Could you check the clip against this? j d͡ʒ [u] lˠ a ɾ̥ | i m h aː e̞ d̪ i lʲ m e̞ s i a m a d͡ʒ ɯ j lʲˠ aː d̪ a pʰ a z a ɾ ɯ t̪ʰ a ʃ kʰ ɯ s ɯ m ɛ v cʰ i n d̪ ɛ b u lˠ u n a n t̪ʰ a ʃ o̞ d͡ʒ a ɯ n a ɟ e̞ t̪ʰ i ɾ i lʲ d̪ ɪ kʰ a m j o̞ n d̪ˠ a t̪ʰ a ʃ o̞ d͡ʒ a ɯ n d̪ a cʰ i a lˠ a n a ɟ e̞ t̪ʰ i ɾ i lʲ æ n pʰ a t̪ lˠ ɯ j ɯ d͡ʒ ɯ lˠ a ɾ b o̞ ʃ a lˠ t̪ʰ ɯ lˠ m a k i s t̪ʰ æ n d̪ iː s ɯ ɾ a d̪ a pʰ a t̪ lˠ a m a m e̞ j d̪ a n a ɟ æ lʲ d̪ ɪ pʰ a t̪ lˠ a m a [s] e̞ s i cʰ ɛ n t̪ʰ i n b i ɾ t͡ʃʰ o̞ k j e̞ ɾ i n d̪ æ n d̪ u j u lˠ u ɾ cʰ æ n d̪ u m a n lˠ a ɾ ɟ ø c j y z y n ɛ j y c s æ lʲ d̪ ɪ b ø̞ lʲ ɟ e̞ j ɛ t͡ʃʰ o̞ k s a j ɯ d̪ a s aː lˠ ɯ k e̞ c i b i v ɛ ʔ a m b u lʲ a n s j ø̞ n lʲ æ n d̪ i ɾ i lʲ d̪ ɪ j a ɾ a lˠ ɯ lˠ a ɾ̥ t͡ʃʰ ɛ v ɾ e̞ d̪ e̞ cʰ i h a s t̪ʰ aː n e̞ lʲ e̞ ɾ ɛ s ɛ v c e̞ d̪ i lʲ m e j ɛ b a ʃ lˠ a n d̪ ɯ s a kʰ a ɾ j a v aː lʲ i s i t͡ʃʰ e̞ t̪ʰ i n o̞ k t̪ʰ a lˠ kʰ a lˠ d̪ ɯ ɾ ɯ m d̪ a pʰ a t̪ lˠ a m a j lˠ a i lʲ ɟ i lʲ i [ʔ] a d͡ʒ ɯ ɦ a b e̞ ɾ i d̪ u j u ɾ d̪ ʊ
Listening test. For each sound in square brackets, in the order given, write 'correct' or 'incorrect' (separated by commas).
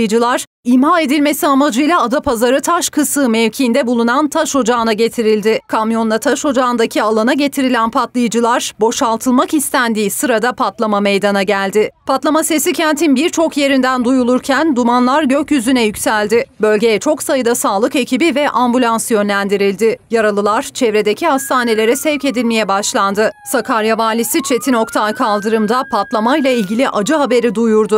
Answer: incorrect, correct, correct